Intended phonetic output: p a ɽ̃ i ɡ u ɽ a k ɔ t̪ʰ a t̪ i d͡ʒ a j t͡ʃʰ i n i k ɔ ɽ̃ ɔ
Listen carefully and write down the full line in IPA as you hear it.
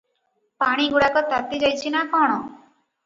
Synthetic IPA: p a ɽ̃ i ɡ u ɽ a k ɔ t̪ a t̪ i d͡ʒ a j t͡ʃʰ i n a k ɔ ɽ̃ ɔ